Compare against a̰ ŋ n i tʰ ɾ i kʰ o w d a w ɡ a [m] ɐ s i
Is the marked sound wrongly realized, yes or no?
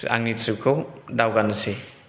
yes